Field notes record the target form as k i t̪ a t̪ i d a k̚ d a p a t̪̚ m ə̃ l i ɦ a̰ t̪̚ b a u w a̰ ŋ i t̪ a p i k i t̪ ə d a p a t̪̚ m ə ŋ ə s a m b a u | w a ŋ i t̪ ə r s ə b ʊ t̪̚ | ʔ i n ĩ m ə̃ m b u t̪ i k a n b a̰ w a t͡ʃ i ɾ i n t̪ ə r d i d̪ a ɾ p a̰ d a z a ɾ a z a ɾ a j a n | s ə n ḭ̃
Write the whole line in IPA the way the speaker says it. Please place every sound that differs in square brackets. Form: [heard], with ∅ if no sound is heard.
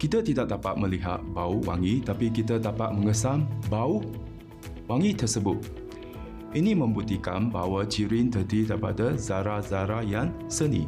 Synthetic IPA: k i t̪ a t̪ i d a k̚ d a p a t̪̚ m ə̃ l i ɦ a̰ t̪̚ b a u w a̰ ŋ i t̪ a p i k i t̪ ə d a p a t̪̚ m ə ŋ ə s a m b a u | w a ŋ i t̪ ə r s ə b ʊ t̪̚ | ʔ i n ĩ m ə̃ m b u t̪ i k a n b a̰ w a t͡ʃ i ɾ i n t̪ ə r d i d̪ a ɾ p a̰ d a z a ɾ a z a ɾ a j a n | s ə n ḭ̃